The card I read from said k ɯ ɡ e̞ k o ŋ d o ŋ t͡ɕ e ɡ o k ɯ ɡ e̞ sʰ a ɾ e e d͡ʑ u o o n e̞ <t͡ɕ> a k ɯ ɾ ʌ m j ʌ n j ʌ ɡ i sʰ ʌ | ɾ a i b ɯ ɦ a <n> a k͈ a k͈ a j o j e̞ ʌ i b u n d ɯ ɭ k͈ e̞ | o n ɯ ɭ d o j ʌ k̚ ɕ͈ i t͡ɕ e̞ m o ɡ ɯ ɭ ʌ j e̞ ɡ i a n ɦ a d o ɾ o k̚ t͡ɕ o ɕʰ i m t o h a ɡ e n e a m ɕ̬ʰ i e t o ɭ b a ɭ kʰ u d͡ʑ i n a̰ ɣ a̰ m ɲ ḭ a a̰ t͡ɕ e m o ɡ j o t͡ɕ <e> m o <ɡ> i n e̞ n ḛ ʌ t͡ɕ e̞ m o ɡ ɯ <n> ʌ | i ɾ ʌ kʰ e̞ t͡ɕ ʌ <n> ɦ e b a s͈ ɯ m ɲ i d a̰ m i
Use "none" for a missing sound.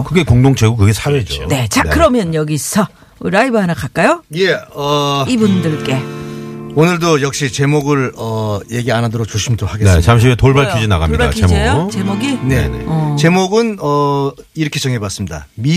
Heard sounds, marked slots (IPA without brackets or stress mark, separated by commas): t͡ɕ, n, e, ɡ, n, ŋ